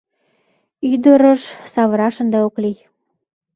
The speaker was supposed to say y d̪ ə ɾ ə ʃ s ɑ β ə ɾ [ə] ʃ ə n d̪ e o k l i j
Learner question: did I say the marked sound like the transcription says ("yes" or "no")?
no